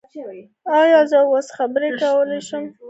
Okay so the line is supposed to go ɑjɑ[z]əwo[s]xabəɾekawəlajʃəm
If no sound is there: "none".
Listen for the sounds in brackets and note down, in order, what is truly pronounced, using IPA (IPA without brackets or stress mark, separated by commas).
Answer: z, s